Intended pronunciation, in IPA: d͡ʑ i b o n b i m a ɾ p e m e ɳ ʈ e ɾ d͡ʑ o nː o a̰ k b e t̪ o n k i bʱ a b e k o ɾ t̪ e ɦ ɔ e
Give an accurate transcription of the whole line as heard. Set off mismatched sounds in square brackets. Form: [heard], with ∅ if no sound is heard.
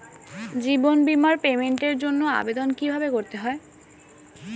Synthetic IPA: d͡ʑ i b o n b i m a ɾ p e m e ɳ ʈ e ɾ d͡ʑ o nː o a̰ [∅] b e [d̪] o n k i bʱ a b e k o ɾ t̪ e ɦ ɔ e

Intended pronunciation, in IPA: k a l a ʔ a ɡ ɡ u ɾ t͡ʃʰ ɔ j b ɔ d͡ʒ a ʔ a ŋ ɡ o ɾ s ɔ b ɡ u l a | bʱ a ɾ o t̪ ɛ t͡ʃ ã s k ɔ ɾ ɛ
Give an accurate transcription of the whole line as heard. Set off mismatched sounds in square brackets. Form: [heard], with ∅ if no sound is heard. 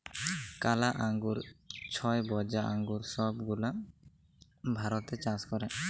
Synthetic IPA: k a l a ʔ a [ŋ] ɡ u ɾ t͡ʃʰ ɔ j b ɔ d͡ʒ a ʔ a ŋ ɡ [u] ɾ s ɔ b ɡ u l a | bʱ a ɾ [ɔ] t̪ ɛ t͡ʃ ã s k ɔ ɾ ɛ

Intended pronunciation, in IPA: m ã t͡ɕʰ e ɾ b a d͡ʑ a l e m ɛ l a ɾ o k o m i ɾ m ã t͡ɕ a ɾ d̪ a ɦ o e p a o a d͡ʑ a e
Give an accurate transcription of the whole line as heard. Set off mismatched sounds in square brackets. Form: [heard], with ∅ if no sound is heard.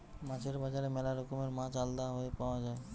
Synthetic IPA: m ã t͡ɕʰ e ɾ b a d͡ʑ a [ɾ] e m ɛ l a ɾ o k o m [e] ɾ m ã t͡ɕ a [l] d̪ a ɦ o e p a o a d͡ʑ a e

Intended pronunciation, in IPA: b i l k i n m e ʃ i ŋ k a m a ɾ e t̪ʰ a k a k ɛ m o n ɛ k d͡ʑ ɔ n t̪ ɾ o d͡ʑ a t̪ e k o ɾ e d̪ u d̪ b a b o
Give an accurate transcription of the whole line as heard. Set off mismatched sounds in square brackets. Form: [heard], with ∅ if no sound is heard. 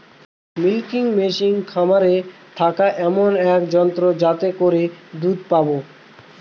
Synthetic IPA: [m] i l k i [ŋ] m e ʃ i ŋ [kʰ] a m a ɾ e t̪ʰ a k a [ʔ] ɛ m o n ɛ k d͡ʑ ɔ n t̪ ɾ o d͡ʑ a t̪ e k o ɾ e d̪ u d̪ [p] a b o

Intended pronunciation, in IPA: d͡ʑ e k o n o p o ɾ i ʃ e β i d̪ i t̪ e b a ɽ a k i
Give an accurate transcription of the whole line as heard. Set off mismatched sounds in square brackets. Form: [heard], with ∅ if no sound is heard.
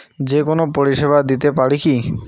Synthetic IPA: d͡ʑ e k o n o p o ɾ i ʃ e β [a] d̪ i t̪ e [p] a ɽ [i] k i

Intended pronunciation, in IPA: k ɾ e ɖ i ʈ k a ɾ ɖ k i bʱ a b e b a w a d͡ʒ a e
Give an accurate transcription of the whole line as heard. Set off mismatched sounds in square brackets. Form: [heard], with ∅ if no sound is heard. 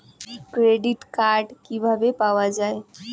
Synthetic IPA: k ɾ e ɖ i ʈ k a ɾ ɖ k i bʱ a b e [p] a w a d͡ʒ a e

